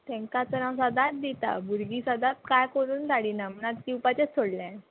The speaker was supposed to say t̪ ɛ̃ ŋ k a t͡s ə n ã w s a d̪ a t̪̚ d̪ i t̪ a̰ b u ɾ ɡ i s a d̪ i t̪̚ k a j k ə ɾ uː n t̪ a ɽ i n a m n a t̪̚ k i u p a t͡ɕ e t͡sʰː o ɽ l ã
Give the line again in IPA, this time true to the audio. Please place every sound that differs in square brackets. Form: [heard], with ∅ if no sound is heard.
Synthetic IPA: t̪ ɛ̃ ŋ k a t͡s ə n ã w s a d̪ a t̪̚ d̪ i t̪ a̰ b u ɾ ɡ i s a d̪ [a] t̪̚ k a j k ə ɾ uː n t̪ a ɽ i n a m n a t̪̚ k i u p a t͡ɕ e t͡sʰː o ɽ l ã